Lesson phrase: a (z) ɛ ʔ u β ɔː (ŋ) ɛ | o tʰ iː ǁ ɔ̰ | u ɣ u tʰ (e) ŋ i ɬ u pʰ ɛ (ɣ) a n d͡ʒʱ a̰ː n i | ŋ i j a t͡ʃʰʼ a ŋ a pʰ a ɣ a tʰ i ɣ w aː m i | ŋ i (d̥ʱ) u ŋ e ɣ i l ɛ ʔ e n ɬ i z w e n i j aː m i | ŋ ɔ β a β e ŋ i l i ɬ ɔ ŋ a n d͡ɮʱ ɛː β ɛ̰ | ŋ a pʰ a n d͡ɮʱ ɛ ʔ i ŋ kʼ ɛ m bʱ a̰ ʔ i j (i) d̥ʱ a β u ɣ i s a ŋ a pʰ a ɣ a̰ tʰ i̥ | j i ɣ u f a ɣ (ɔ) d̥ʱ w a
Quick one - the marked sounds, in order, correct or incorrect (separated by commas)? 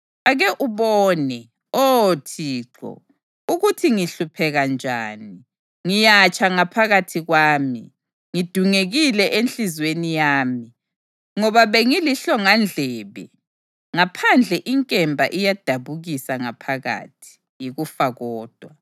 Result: incorrect, incorrect, incorrect, correct, correct, incorrect, incorrect